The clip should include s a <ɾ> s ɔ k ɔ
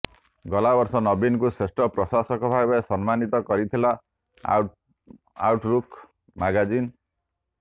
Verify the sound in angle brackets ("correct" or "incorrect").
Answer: incorrect